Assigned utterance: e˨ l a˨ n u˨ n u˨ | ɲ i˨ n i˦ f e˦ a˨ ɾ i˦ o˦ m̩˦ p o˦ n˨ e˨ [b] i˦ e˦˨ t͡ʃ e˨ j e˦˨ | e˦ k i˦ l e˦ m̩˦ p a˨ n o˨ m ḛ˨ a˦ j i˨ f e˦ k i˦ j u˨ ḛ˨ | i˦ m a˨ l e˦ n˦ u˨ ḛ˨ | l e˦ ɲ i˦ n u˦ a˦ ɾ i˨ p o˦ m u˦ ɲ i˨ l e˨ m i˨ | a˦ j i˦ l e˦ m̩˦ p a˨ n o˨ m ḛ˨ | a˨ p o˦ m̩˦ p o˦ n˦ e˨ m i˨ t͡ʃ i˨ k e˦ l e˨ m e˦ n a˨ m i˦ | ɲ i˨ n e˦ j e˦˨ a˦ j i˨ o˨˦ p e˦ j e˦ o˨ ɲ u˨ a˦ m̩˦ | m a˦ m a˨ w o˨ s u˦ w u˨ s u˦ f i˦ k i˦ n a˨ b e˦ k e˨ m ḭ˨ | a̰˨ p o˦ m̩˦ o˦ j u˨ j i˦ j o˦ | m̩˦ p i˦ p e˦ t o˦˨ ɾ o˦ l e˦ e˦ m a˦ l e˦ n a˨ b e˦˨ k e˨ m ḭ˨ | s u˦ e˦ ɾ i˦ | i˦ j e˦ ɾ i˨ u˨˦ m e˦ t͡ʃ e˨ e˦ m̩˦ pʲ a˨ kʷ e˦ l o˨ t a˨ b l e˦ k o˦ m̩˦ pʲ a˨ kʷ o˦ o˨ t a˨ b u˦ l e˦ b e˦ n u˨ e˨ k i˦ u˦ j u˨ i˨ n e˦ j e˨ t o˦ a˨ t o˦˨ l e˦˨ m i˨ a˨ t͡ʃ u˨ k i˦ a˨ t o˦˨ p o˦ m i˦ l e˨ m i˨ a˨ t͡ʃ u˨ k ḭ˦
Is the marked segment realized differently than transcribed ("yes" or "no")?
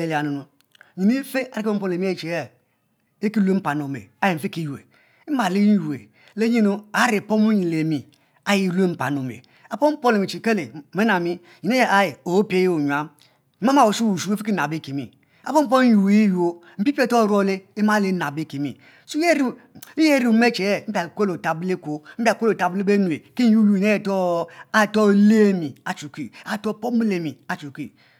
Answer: yes